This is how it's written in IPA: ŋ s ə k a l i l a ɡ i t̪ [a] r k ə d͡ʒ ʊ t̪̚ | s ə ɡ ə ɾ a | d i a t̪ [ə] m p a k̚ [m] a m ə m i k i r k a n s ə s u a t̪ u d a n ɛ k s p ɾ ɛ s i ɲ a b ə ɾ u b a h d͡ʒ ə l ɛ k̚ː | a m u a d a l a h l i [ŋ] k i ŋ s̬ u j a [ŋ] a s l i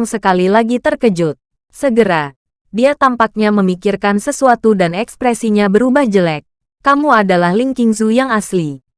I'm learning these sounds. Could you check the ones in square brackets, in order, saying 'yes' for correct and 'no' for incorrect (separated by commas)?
no, no, no, yes, yes